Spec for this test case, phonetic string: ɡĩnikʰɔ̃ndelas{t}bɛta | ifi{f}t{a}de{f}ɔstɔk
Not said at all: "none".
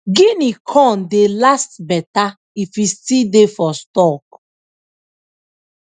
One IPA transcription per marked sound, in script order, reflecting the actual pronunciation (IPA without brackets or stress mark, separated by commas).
t, s, i, f